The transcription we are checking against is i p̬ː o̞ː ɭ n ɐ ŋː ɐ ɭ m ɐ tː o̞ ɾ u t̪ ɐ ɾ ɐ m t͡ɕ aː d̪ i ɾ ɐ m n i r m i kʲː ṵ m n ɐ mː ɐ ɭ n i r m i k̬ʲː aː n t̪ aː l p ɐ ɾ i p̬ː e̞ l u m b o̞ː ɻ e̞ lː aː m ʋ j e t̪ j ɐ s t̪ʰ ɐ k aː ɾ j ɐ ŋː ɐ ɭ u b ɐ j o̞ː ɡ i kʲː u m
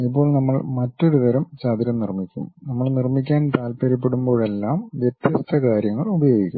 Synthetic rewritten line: i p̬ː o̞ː ɭ n ɐ mː ɐ ɭ m ɐ tː o̞ ɾ u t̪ ɐ ɾ ɐ m t͡ɕ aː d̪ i ɾ ɐ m n i r m i kʲː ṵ m n ɐ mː ɐ ɭ n i r m i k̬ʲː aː n t̪ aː l p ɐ ɾ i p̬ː e̞ ɽ u m b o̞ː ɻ e̞ lː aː m ʋ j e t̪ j ɐ s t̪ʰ ɐ k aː ɾ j ɐ ŋː ɐ ɭ u b ɐ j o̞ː ɡ i kʲː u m